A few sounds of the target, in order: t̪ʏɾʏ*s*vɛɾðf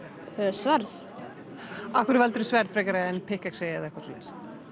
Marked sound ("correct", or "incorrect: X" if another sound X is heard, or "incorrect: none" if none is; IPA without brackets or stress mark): correct